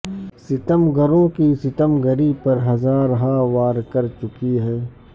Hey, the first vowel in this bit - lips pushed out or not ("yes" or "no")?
no